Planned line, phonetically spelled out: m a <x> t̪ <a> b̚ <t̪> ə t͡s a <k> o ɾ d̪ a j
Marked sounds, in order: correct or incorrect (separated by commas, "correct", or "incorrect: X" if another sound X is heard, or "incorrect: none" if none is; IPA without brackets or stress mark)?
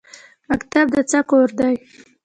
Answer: incorrect: k, correct, incorrect: d̪, correct